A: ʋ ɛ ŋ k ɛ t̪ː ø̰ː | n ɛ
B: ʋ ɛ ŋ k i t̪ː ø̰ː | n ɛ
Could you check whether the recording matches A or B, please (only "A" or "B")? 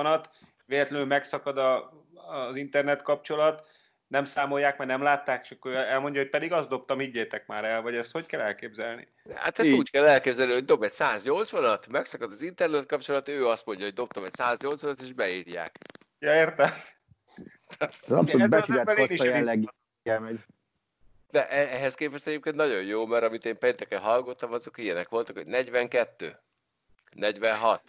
A